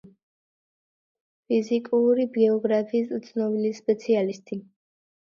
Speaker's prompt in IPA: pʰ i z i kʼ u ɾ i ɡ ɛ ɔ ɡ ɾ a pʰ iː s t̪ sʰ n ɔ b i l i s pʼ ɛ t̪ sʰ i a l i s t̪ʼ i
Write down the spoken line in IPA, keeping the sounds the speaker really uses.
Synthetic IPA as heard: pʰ i z i kʼ u ɾ i b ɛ ɔ ɡ ɾ a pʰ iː s t̪ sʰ n ɔ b i l i s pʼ ɛ t̪ sʰ i a l i s t̪ʼ i